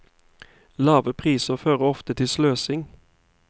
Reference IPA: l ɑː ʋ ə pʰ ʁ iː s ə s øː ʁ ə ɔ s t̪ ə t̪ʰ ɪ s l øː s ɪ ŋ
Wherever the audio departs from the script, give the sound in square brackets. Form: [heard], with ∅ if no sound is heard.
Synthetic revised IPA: l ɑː ʋ ə pʰ ʁ iː s ə [f] øː ʁ ə ɔ [f] t̪ ə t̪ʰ ɪ s l øː s ɪ ŋ